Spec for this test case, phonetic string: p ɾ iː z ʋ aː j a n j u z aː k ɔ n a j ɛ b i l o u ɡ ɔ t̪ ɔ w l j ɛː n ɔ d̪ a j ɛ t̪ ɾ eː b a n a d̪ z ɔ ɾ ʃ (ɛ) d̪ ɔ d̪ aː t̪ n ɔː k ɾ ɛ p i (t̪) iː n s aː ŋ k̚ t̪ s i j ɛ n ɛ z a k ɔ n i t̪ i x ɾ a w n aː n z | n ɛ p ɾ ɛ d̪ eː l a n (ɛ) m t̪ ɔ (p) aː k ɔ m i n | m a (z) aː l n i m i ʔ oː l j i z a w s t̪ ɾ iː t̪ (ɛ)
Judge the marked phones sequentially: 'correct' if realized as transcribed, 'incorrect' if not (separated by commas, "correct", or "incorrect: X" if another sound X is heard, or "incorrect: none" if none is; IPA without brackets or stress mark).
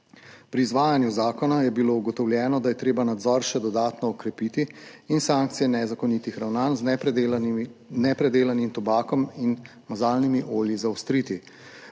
correct, correct, incorrect: i, incorrect: b, correct, incorrect: i